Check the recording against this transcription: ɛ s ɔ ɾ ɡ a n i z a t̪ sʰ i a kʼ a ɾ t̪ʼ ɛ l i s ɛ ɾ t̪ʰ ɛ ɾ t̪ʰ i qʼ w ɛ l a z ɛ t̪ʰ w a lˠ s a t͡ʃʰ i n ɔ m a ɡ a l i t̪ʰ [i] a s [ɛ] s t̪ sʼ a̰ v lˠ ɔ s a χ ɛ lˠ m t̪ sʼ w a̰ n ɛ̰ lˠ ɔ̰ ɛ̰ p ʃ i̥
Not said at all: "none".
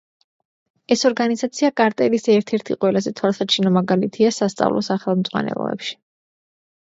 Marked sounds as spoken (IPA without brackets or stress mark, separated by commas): i, a